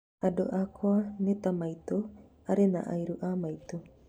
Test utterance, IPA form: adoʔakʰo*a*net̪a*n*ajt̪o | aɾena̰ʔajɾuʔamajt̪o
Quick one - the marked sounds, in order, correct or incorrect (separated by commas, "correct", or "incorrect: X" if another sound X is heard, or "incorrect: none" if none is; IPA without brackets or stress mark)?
correct, incorrect: m